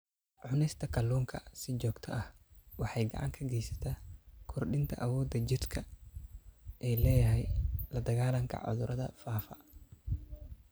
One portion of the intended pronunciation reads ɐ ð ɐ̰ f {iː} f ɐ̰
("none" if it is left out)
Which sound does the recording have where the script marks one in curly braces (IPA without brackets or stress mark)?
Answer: aː